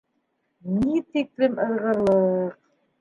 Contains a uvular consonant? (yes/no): yes